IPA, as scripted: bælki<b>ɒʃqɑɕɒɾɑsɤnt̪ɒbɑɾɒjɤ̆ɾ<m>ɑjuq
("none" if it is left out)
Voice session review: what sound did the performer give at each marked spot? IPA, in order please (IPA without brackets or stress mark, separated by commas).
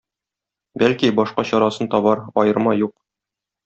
b, m